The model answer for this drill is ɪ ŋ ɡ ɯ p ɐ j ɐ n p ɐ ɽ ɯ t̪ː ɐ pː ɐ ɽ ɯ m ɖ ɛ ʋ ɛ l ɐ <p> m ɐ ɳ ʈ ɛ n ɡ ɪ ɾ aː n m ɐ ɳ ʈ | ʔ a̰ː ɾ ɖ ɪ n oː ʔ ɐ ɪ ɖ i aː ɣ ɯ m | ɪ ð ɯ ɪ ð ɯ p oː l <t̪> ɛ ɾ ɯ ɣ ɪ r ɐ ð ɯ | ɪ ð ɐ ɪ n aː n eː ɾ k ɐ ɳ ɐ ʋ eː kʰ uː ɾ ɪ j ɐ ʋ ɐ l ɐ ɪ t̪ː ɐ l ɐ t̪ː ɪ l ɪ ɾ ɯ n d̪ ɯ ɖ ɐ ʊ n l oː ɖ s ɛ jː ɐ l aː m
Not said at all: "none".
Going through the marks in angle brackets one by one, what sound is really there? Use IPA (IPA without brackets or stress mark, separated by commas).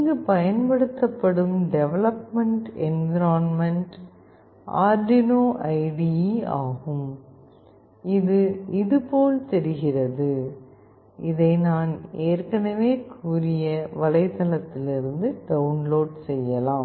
p, t̪